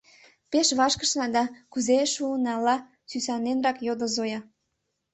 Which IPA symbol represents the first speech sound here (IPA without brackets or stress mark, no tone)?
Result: p